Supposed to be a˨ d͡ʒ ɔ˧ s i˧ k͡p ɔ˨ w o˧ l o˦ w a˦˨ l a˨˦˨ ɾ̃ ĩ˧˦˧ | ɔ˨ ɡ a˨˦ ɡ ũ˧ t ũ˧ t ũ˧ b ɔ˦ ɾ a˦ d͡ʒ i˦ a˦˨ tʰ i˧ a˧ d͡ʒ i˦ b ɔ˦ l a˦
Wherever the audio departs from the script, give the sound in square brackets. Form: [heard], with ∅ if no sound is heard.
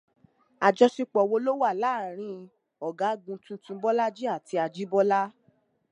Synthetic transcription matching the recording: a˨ d͡ʒ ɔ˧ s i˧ k͡p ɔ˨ w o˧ l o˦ w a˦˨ l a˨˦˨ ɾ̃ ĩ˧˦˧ | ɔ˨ ɡ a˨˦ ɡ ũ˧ t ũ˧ t ũ˧ b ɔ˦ [l] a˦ d͡ʒ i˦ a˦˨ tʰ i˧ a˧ d͡ʒ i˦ b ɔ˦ l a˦